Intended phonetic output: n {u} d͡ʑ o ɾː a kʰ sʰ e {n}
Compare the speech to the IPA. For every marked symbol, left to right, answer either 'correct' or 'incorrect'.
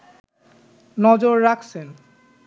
incorrect: ɔ, correct

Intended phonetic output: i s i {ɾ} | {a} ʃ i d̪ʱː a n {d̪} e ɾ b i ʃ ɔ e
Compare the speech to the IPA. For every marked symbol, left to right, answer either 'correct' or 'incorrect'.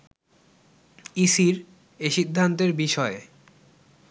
correct, incorrect: e, incorrect: t̪

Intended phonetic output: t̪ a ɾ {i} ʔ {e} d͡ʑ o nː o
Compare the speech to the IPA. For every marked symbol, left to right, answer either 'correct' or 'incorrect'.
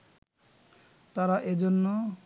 incorrect: a, correct

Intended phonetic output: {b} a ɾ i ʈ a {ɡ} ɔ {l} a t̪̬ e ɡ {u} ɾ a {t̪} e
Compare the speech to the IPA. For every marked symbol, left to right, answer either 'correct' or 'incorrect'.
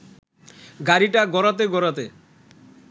incorrect: ɡ, correct, incorrect: ɾ, incorrect: ɔ, correct

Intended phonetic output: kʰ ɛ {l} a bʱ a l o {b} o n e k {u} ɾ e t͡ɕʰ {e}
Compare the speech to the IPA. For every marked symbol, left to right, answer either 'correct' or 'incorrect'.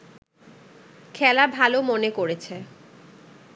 correct, incorrect: m, incorrect: o, correct

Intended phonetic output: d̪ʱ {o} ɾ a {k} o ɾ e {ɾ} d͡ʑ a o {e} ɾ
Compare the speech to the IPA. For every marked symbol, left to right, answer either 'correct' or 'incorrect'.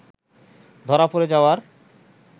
incorrect: ɔ, incorrect: p, incorrect: none, incorrect: a

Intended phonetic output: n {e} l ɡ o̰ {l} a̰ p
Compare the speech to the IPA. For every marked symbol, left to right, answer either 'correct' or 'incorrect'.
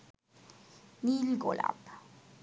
incorrect: i, correct

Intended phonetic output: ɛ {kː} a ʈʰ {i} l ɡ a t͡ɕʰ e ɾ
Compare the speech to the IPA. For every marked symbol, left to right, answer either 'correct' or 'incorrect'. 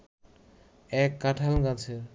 correct, incorrect: a

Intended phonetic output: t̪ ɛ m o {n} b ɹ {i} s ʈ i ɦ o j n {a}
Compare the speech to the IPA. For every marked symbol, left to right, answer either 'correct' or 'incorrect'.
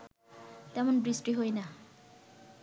correct, correct, correct

